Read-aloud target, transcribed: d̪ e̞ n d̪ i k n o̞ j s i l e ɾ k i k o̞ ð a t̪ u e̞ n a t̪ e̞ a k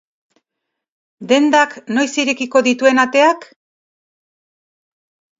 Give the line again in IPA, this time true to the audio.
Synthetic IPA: d̪ e̞ n d̪ a k n o̞ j s i ɾ e k i k o̞ ð i t̪ u e̞ n a t̪ e̞ a k